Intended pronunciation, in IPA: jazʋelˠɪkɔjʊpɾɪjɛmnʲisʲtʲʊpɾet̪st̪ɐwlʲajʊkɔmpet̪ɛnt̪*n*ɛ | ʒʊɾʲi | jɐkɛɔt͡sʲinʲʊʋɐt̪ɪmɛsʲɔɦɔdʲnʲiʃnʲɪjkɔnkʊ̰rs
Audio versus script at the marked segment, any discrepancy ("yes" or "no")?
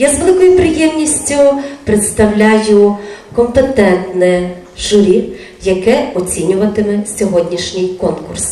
no